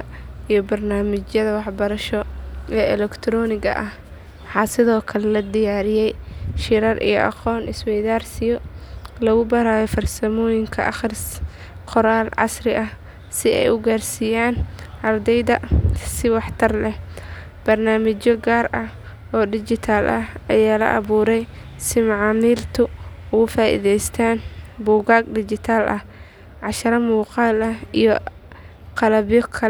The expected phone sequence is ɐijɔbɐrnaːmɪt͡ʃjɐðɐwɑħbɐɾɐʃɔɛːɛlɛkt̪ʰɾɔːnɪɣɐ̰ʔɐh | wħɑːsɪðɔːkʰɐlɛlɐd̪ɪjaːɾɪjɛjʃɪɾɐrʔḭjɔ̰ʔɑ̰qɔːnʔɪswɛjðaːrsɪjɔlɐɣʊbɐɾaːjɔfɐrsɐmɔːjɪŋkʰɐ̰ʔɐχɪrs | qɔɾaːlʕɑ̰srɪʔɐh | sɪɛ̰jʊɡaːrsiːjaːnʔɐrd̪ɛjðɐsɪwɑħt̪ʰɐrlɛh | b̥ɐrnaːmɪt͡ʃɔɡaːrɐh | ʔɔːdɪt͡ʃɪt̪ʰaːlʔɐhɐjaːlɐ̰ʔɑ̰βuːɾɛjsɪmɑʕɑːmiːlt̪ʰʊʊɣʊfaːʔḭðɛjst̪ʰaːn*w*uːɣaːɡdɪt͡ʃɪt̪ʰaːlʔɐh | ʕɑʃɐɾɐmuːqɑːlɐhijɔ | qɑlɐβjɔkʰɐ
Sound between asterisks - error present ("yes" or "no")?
yes